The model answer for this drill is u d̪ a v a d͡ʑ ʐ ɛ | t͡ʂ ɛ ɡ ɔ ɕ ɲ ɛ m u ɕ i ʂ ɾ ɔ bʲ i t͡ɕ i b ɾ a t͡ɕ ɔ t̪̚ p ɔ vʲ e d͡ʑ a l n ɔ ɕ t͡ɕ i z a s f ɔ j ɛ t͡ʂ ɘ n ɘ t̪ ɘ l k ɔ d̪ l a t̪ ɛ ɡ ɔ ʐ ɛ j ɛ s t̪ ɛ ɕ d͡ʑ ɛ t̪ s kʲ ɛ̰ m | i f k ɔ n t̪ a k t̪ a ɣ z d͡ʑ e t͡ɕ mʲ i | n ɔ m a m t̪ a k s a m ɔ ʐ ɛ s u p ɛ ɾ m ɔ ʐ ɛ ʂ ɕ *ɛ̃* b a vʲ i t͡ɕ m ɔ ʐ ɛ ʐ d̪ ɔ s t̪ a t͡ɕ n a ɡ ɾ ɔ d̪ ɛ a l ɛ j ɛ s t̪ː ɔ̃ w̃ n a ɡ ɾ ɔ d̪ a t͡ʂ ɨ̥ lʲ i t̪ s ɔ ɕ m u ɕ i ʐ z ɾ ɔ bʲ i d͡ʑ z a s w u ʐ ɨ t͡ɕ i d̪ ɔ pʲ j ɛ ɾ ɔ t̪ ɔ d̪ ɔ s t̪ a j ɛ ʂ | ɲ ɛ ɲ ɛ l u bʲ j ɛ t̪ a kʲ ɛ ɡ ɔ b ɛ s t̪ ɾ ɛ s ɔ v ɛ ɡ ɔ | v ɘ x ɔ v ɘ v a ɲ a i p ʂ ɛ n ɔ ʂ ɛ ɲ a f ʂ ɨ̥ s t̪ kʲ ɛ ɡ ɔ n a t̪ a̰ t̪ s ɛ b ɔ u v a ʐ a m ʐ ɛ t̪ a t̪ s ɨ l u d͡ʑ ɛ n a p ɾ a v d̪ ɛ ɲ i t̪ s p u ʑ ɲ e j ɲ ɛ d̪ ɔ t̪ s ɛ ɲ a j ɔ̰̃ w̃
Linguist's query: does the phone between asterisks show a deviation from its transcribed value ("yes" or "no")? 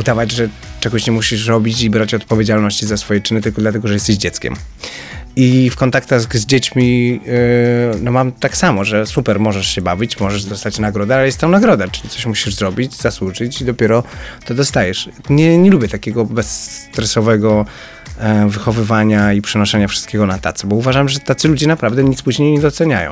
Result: yes